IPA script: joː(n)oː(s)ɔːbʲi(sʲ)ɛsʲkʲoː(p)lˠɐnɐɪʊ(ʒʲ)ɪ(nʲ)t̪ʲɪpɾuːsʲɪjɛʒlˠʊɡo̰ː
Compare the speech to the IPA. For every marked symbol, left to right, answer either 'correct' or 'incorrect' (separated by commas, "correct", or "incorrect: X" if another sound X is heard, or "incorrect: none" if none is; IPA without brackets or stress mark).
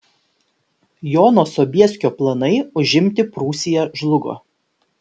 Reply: correct, correct, incorrect: none, correct, correct, incorrect: mʲ